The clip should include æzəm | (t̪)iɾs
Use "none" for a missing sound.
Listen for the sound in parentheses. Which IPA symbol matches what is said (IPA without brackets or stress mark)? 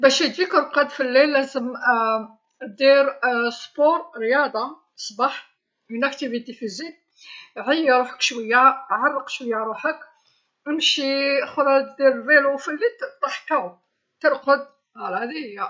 d̪